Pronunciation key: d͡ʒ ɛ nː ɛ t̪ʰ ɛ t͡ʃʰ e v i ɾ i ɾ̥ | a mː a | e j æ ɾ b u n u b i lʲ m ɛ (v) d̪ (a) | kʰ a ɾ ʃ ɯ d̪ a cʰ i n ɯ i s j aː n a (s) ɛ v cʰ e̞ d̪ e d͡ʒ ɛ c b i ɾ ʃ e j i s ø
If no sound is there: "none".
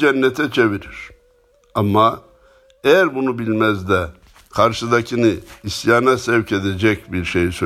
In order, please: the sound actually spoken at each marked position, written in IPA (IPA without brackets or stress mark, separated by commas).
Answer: z, ɛ, s